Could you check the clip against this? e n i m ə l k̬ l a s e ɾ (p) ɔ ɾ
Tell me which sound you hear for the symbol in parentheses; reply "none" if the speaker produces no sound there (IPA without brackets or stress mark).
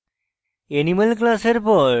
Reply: p